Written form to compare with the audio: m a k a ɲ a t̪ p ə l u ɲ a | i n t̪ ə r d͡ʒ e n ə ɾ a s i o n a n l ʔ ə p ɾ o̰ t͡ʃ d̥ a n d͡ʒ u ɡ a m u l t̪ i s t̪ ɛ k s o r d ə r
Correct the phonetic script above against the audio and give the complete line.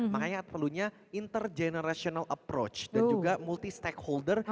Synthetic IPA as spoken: m a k a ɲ a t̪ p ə l u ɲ a | i n t̪ ə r d͡ʒ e n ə ɾ a s i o n a l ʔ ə p ɾ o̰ t͡ʃ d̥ a n d͡ʒ u ɡ a m u l t̪ i s t̪ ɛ k h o l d ə r